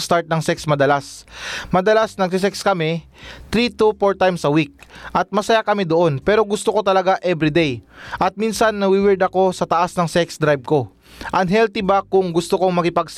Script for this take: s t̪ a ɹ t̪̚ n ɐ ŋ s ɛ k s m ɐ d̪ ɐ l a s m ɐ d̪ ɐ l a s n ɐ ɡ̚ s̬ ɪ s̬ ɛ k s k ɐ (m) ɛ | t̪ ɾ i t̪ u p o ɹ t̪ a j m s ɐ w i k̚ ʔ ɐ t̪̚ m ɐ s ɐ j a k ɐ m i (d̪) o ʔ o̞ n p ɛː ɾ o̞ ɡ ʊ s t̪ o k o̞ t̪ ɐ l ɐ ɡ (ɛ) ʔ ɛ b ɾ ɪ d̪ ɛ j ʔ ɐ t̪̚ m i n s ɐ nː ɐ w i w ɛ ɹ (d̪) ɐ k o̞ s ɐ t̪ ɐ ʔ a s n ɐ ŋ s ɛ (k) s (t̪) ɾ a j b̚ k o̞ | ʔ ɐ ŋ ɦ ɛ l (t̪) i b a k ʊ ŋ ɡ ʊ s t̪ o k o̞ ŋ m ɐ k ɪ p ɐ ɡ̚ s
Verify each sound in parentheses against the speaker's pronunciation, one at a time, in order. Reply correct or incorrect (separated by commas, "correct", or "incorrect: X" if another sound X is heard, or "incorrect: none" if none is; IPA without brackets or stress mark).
correct, correct, incorrect: a, correct, correct, incorrect: d̪, correct